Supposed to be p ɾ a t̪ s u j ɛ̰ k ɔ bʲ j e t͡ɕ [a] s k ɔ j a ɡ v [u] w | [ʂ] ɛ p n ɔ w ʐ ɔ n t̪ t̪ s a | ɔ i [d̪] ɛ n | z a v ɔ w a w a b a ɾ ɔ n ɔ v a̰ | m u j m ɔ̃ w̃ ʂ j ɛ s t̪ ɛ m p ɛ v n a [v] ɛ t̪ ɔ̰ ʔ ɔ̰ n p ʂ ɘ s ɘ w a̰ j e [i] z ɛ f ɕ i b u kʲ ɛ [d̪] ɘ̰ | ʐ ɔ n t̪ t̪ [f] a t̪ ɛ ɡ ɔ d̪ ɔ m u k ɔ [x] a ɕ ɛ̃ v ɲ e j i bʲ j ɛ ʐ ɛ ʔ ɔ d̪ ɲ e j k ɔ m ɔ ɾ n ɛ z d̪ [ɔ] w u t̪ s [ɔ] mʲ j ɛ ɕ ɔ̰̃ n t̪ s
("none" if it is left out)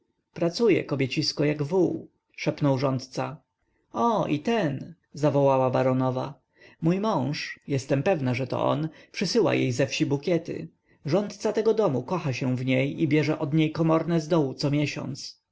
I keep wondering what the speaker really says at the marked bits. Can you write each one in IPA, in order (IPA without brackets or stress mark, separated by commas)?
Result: i, u, ʂ, t̪, ʐ, j, t̪, s, x, ɔ, ɔ